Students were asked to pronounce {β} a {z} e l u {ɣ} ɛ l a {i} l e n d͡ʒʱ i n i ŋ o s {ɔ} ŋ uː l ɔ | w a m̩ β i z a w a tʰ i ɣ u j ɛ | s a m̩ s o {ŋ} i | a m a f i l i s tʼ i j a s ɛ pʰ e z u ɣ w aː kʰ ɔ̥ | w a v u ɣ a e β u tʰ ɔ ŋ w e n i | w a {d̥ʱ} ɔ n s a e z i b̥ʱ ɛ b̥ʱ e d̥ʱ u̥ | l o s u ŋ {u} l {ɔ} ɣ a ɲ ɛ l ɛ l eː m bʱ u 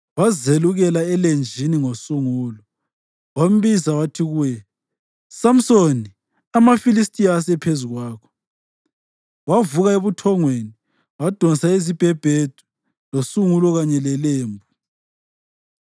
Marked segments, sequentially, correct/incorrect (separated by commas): incorrect, correct, correct, incorrect, incorrect, incorrect, correct, correct, correct